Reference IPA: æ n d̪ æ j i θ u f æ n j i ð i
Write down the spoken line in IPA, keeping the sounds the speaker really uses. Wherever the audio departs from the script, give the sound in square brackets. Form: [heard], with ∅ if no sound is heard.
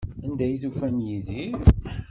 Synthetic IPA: æ n d̪ æ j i θ u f æ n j i ð i